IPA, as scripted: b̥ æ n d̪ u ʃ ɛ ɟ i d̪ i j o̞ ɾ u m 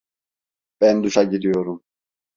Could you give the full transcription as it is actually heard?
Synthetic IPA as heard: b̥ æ n d̪ u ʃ a ɟ i d̪ i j o̞ ɾ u m

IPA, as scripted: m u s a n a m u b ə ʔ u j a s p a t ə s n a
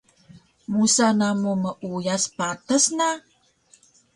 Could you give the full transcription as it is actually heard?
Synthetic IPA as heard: m u s a n a m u m ə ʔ u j a s p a t ə s n a

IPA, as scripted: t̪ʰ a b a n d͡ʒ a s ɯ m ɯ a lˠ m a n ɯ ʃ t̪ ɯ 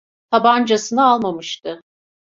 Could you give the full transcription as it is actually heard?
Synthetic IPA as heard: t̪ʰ a b a n d͡ʒ a s ɯ n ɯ a lˠ m a m ɯ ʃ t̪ ɯ

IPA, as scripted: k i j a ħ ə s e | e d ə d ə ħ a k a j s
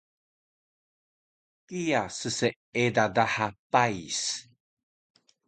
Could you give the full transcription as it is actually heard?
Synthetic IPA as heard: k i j a s ə s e | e d a d a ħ a p a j s

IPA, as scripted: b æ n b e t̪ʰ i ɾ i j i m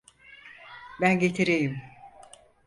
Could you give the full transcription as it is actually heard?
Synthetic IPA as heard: b æ n ɟ e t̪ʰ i ɾ e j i m

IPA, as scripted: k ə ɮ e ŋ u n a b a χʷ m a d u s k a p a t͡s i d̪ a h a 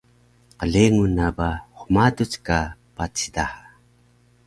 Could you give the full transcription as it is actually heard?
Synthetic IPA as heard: q ə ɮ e ŋ u n a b a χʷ m a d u t͡s k a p a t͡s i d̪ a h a

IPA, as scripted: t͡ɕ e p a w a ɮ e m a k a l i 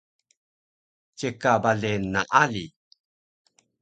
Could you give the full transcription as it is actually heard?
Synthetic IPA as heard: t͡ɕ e k a b a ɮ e n a ʔ a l i

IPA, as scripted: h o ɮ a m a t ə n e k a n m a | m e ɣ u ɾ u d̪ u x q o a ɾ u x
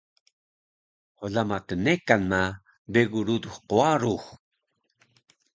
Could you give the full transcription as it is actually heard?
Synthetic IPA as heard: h o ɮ a m a t ə n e k a n m a | b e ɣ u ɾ u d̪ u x q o a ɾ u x

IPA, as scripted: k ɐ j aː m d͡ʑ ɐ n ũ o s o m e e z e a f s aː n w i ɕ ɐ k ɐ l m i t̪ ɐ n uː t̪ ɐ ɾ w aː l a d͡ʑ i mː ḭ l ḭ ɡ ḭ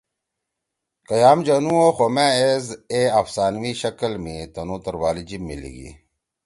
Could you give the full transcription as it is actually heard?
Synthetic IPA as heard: k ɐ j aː m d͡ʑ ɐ n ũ o x o m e e z e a f s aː n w i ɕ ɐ k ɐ l m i t̪ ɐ n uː t̪ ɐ ɾ w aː l i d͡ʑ i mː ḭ l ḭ ɡ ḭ

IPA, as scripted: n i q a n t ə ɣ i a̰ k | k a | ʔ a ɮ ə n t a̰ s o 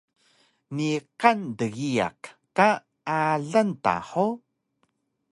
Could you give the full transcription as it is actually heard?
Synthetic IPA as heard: n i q a n d ə ɣ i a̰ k | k a | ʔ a ɮ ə n t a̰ ħ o

